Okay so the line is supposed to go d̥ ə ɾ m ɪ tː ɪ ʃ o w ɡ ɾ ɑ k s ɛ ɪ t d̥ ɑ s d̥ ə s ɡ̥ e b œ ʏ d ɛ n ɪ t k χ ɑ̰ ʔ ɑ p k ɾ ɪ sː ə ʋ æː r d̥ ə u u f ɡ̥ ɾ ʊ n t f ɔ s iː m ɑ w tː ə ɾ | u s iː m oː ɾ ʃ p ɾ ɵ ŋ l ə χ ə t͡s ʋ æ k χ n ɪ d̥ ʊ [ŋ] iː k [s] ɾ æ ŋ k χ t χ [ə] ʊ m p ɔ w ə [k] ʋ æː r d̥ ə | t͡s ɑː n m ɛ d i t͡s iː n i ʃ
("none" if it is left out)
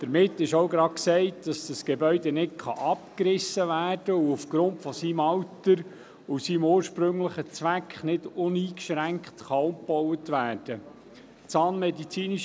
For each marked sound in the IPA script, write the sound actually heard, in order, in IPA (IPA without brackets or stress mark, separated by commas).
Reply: n, ʃ, ɑ, t